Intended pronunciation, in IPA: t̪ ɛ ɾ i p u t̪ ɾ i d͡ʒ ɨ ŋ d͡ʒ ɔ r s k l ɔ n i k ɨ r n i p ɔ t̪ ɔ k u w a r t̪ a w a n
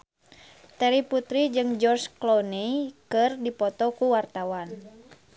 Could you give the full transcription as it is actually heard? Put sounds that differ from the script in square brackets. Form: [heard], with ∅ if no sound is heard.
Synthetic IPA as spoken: t̪ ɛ ɾ i p u t̪ ɾ i d͡ʒ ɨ ŋ d͡ʒ ɔ r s k l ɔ n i k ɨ r [d] i p ɔ t̪ ɔ k u w a r t̪ a w a n